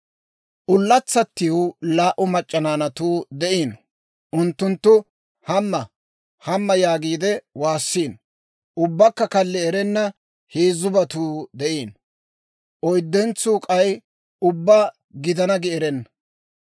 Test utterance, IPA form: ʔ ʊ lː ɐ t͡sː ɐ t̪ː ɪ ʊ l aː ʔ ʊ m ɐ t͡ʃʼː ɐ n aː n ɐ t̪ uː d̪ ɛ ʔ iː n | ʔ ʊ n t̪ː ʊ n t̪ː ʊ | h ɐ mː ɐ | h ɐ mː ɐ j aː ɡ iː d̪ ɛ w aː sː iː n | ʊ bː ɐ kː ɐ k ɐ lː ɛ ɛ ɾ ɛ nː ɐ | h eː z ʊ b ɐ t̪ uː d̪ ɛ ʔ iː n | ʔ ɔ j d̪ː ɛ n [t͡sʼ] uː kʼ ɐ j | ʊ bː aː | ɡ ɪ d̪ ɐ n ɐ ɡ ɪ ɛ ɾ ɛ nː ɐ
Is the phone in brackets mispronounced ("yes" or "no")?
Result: yes